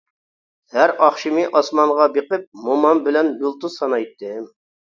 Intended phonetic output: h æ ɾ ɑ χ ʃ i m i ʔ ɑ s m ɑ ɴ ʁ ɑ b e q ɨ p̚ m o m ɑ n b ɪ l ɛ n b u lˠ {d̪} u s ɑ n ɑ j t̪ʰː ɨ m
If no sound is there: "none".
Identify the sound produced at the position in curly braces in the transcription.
t̪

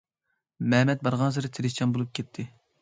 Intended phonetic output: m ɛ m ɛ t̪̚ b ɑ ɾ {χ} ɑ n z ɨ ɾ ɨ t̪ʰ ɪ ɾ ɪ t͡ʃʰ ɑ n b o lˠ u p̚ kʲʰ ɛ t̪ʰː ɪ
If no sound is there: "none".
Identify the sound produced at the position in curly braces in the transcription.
ʁ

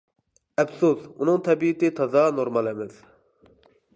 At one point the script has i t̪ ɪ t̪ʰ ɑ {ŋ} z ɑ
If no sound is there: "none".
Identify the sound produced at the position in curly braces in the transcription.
none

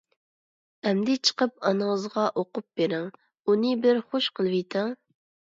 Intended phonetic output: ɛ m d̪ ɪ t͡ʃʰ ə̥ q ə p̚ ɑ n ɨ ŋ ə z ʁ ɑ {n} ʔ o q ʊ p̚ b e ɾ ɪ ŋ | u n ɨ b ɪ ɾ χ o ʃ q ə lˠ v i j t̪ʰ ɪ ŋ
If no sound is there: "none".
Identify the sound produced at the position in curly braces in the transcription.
none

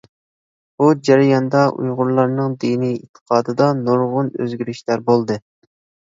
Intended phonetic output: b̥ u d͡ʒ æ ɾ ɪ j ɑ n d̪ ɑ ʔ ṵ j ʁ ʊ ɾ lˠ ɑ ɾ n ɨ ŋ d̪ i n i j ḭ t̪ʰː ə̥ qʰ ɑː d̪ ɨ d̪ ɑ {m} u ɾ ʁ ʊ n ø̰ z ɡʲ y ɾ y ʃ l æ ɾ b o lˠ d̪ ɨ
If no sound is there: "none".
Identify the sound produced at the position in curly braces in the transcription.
n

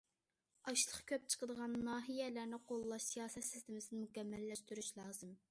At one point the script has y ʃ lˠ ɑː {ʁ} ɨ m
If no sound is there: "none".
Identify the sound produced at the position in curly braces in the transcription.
z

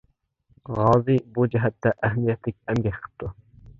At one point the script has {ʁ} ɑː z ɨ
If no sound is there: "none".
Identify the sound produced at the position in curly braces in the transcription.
ʁ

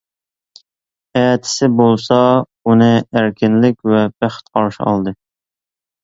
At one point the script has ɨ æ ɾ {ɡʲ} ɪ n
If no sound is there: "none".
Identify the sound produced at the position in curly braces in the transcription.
kʲ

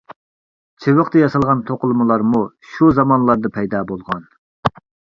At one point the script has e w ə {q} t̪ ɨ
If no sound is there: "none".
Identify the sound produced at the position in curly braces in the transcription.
q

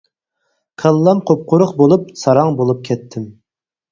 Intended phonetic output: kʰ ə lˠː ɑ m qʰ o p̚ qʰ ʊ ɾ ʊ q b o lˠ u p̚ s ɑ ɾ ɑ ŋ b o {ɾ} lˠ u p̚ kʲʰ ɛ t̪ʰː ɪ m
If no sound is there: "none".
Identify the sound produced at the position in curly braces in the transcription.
none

